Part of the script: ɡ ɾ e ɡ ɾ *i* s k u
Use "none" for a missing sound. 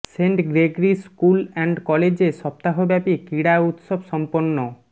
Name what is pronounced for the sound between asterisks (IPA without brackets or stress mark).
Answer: i